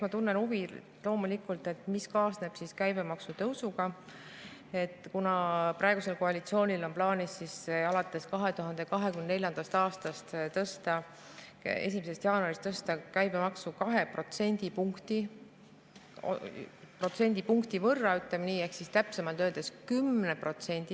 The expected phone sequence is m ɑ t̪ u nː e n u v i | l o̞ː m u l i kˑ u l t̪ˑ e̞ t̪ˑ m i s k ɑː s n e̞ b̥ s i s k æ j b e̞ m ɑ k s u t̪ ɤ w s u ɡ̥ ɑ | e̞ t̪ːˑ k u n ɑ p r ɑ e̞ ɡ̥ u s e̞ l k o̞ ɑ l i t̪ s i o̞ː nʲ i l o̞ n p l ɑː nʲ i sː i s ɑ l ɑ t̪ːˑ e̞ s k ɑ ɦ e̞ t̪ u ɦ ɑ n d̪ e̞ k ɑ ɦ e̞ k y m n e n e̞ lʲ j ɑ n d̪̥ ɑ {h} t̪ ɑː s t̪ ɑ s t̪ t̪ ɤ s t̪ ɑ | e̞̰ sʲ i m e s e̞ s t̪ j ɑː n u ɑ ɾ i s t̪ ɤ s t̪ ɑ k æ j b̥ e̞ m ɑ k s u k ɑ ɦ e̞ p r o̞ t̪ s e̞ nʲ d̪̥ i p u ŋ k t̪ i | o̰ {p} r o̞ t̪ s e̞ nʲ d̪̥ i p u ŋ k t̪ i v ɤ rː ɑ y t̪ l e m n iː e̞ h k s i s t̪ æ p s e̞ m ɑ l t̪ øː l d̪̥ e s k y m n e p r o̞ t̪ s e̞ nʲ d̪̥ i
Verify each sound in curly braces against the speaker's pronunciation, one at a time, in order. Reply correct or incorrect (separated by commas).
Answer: incorrect, correct